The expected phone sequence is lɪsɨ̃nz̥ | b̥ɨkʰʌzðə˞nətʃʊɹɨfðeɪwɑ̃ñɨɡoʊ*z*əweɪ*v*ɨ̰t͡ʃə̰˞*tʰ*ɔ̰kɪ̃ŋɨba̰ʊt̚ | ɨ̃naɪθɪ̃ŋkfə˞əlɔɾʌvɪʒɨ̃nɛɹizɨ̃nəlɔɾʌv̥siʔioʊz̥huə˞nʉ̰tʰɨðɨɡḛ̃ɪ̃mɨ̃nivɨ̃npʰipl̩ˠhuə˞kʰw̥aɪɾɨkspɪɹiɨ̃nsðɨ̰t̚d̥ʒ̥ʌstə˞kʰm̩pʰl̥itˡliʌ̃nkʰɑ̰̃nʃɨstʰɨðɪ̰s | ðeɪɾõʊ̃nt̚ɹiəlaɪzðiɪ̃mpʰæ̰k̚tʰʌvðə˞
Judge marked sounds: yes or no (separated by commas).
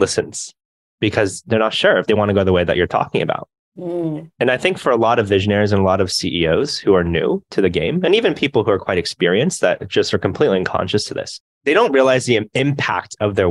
no, no, yes